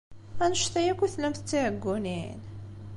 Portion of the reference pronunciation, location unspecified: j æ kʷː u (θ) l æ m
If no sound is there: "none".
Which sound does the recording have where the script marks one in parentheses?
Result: θ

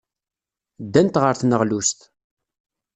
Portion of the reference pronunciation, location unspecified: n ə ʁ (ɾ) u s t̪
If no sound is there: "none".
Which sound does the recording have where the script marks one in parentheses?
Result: l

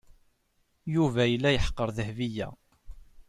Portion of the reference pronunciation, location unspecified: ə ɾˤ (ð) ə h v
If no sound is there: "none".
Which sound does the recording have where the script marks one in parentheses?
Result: ð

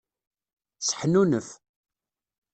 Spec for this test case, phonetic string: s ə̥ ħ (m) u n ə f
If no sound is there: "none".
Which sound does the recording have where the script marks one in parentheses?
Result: n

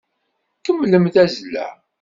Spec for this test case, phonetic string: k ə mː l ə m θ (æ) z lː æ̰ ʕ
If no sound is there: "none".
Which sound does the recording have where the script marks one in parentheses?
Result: æ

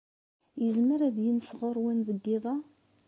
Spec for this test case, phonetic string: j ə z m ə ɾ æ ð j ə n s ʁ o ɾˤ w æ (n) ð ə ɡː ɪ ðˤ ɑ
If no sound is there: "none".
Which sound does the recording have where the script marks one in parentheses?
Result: n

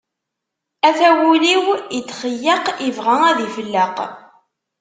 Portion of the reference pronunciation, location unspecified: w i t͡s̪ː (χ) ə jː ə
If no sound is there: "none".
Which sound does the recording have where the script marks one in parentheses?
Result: χ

